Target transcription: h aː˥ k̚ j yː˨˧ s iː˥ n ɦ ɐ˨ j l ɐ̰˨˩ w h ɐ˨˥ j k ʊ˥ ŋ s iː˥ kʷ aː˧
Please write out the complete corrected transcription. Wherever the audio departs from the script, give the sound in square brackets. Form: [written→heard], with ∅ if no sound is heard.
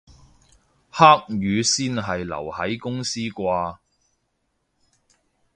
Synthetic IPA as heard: h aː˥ k̚ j yː˨˧ s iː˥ n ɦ ɐ˨ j l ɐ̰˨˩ w h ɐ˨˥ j k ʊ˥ ŋ s iː˥ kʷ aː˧